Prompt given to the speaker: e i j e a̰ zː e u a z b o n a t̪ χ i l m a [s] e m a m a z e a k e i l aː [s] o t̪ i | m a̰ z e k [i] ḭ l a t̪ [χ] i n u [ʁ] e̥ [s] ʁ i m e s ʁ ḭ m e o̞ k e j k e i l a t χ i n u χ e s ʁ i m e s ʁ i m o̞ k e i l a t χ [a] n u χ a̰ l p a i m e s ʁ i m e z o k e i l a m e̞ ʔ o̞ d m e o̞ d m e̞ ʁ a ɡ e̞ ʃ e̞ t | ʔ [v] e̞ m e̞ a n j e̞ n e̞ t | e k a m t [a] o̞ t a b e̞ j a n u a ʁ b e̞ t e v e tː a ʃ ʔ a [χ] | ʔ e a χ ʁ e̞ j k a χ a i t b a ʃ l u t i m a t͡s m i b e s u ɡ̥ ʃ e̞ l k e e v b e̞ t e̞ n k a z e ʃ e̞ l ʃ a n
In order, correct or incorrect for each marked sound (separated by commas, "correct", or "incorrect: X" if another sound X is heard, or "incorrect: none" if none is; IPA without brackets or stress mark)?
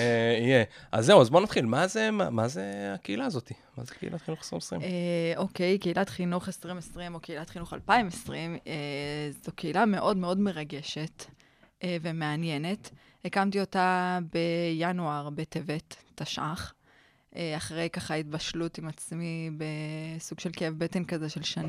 incorrect: z, incorrect: z, incorrect: e, correct, incorrect: χ, correct, incorrect: i, correct, incorrect: i, correct